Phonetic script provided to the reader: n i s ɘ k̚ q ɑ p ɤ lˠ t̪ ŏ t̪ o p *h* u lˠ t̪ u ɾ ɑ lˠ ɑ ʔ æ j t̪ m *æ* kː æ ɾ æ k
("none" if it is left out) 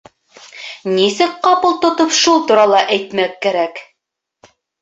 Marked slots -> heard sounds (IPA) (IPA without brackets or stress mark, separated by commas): ʃ, æ